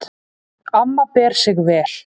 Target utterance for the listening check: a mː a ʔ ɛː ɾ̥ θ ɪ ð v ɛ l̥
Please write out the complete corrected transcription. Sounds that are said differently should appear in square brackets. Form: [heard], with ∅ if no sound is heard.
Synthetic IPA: a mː a [p] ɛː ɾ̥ [s] ɪ [ɣ] v [ɛː] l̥